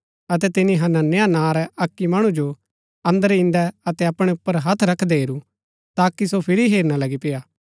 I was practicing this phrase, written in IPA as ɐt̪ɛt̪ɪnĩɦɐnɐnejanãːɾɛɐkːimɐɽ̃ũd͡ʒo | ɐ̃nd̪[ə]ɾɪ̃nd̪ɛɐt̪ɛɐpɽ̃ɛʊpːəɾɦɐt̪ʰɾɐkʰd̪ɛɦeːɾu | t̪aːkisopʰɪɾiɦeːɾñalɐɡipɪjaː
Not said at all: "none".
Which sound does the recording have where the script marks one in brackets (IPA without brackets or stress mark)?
ə